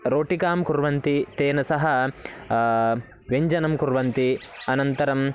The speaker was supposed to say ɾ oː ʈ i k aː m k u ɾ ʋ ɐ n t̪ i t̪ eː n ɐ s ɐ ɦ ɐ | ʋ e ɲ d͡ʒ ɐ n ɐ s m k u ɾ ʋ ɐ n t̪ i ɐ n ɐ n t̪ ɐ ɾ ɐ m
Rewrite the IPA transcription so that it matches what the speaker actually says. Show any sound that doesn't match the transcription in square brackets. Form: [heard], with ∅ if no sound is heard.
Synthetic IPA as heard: ɾ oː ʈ i k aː m k u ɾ ʋ ɐ n t̪ i t̪ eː n ɐ s ɐ ɦ ɐ | ʋ e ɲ d͡ʒ ɐ n ɐ [∅] m k u ɾ ʋ ɐ n t̪ i ɐ n ɐ n t̪ ɐ ɾ ɐ m